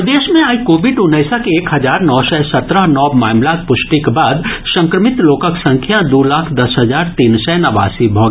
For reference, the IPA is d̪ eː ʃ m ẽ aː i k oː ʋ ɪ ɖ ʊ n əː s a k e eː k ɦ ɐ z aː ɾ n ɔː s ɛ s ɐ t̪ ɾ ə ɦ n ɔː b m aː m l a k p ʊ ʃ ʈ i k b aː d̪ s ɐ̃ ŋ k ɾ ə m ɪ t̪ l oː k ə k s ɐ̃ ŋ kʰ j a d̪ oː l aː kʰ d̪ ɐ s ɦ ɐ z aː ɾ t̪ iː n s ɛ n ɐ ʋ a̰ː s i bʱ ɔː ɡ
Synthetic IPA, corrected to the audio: d̪ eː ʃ m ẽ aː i k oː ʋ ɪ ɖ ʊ n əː s a k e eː k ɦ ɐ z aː ɾ n ɔː s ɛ s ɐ t̪ ɾ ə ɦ n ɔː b m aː m l a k p ʊ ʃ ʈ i k b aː d̪ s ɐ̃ ŋ k ɾ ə m ɪ t̪ l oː k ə k s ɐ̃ ŋ kʰ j a d̪ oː l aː kʰ d̪ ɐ s ɦ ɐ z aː ɾ t̪ iː n s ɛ n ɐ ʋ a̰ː s i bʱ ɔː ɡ